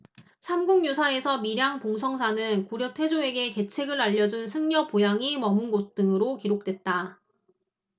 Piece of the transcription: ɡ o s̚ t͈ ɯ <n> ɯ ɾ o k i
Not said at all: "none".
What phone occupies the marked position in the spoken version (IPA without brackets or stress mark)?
ŋ